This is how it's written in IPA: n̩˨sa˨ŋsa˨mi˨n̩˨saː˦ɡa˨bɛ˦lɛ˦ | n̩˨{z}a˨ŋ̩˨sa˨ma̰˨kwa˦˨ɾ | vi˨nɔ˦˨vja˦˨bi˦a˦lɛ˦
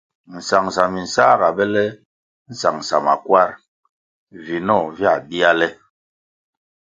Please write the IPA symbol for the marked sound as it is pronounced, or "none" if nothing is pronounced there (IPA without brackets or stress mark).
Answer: s